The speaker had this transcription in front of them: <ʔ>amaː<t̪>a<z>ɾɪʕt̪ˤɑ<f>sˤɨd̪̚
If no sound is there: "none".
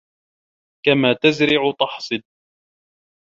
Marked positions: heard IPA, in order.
k, t̪, z, ħ

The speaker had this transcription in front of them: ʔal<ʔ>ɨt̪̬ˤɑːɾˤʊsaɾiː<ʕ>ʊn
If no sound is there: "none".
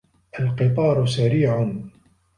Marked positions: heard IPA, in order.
q, ʕ

